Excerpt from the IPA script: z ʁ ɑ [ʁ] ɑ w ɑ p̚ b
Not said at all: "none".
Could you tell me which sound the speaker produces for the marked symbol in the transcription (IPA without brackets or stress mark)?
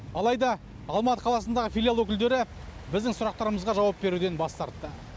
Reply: ʒ